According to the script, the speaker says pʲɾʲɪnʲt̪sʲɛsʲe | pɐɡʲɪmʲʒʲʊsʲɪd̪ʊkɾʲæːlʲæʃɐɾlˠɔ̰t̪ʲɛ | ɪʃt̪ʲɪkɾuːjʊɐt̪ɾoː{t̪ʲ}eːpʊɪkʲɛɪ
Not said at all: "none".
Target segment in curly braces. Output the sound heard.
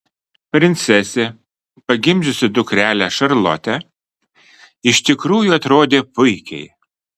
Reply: d̪ʲ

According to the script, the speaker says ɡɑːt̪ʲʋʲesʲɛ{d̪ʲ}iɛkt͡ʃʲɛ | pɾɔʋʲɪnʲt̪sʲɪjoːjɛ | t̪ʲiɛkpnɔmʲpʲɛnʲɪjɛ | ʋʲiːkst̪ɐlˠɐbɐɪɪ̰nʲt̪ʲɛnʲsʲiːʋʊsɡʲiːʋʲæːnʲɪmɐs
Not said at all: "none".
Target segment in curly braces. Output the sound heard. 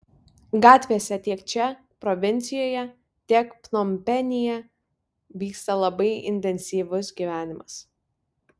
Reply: t̪ʲ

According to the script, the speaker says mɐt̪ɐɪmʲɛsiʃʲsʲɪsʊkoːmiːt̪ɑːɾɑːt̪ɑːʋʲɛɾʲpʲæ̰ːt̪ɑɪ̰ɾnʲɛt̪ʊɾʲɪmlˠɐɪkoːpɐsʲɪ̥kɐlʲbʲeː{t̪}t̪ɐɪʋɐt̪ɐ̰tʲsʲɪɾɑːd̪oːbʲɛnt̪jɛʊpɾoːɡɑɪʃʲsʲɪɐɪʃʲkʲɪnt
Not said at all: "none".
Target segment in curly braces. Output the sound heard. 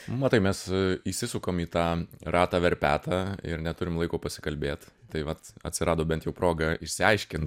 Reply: t̪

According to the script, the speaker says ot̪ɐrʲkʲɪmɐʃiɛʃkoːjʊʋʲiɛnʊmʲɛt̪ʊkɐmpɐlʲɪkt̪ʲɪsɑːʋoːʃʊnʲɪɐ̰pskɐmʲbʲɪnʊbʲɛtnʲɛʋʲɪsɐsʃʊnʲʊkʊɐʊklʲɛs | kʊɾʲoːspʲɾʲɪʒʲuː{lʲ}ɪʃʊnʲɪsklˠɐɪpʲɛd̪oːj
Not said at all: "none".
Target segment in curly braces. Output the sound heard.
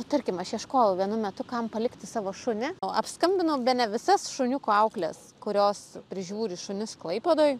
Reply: ɾʲ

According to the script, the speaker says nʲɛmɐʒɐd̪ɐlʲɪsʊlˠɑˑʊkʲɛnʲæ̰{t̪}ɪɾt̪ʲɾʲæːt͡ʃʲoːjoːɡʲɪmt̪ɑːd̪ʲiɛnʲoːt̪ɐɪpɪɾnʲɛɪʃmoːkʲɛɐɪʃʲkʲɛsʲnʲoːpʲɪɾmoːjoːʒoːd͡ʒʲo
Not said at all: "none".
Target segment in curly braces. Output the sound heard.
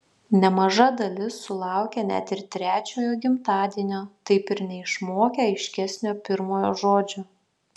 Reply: t̪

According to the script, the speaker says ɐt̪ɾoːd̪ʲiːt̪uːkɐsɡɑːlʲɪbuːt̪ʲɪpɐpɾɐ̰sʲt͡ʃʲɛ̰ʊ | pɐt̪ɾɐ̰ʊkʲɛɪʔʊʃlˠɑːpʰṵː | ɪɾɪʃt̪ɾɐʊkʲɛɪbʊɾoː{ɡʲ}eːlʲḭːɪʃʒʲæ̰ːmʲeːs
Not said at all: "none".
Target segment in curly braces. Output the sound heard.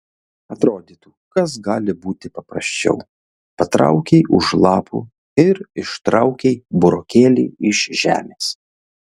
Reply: kʲ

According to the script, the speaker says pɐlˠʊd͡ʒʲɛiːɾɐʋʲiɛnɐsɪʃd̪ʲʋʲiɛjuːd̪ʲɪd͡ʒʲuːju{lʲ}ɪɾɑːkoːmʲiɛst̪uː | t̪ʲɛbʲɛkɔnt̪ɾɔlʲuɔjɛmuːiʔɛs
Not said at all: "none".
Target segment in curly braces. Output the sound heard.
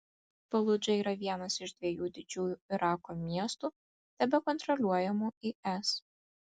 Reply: none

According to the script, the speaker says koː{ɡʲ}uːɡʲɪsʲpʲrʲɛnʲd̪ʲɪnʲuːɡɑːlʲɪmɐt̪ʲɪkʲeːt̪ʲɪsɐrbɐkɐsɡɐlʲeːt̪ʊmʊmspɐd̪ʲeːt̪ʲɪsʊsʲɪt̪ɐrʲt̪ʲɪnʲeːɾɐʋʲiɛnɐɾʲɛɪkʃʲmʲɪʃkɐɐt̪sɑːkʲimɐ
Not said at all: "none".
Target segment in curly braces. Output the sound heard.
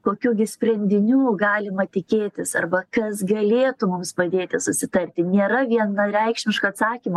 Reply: kʲ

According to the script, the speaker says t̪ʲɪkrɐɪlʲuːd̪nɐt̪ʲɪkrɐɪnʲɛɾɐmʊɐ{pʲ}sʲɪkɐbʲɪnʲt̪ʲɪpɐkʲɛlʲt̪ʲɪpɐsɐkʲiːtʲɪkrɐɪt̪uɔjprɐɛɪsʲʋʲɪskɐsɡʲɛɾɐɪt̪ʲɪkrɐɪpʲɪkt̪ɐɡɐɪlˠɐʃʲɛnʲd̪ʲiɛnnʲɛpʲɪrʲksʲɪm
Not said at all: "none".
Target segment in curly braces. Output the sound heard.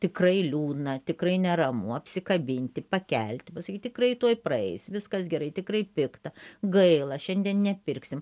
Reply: pʲ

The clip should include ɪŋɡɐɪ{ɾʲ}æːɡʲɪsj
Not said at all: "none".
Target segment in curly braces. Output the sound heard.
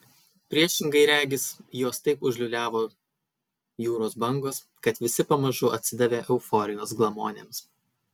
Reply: ɾʲ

